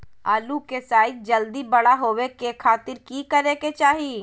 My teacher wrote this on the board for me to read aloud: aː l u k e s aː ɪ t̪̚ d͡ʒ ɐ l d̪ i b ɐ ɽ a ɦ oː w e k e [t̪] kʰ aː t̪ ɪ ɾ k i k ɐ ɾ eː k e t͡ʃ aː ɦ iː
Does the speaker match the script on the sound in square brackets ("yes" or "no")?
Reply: no